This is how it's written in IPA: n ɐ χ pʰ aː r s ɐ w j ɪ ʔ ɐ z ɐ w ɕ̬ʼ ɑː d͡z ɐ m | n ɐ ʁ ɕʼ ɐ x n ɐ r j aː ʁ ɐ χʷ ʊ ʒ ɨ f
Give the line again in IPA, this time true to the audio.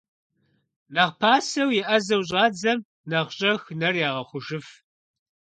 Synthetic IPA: n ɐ ʁ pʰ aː s ɐ w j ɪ ʔ ɐ z ɐ w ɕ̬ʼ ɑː d͡z ɐ m | n ɐ ʁ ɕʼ ɐ x n ɐ r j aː ʁ ɐ χʷ ʊ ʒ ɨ f